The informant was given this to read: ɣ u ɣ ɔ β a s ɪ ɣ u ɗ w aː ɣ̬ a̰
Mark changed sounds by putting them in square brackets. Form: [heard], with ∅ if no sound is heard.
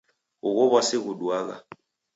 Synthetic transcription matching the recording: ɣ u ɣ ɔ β a s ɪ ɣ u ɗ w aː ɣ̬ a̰

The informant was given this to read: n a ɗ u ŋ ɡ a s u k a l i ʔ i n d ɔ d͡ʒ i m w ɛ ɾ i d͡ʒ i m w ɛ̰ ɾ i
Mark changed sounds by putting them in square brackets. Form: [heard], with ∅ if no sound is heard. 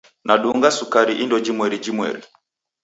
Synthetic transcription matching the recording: n a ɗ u ŋ ɡ a s u k a [ɾ] i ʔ i n d ɔ d͡ʒ i m w ɛ ɾ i d͡ʒ i m w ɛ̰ ɾ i

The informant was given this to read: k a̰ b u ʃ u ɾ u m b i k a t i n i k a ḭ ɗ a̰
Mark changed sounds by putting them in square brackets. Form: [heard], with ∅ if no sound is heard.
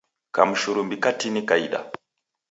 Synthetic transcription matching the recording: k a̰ [m] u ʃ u ɾ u m b i k a t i n i k a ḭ ɗ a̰

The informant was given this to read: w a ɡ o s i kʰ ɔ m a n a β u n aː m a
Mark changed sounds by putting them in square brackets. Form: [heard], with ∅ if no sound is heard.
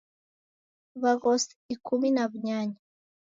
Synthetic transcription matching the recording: [β] a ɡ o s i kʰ [u] m [i] n a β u [ɲ] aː [ɲ] a

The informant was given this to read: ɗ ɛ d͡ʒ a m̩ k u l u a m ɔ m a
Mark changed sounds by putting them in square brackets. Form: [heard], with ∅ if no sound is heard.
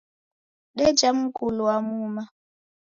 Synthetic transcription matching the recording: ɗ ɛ d͡ʒ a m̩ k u l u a m [u] m a

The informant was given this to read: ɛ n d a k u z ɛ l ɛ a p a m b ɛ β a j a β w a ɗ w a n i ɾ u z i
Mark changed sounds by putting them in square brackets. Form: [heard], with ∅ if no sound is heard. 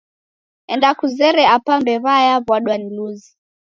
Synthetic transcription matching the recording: ɛ n d a k u z ɛ [ɾ] ɛ a p a m b ɛ β a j a β w a ɗ w a n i [l] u z i

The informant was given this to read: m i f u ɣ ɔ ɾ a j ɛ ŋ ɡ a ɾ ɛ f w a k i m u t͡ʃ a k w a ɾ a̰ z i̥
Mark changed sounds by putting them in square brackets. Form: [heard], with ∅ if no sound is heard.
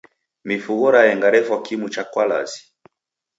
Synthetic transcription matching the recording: m i f u ɣ ɔ ɾ a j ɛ ŋ ɡ a ɾ ɛ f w a k i m u t͡ʃ a k w a [l] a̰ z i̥

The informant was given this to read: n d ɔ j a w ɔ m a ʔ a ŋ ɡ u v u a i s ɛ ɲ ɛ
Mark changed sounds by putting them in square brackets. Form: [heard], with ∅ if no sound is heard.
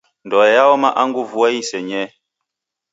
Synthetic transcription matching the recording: n d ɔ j a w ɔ m a ʔ a ŋ ɡ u v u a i s ɛ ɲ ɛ

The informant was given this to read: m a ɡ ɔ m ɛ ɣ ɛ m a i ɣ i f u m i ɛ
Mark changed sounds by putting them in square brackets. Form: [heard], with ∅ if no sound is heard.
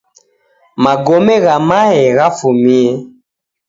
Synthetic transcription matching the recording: m a ɡ ɔ m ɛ ɣ [a] m a [ɛ] ɣ [a] f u m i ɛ

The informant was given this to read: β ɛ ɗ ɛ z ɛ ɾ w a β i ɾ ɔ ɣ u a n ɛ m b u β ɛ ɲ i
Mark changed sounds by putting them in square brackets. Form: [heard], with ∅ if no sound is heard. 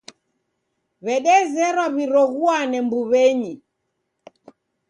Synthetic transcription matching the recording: β ɛ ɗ ɛ z ɛ ɾ w a β i ɾ ɔ ɣ u a n ɛ m b u β ɛ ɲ i

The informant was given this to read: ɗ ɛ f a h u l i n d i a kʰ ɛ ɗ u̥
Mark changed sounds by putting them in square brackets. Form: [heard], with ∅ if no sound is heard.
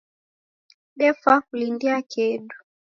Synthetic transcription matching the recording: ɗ ɛ f a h u l i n d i a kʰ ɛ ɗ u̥

